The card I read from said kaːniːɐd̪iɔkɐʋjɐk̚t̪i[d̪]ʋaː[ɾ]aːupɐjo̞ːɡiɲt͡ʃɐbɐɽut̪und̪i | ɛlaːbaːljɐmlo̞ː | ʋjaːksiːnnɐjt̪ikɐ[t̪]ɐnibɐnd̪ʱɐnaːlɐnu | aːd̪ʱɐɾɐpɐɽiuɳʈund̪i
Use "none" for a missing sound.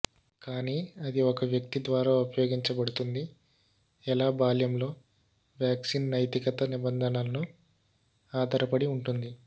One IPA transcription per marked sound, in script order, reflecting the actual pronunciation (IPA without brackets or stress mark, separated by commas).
d̪, ɾ, t̪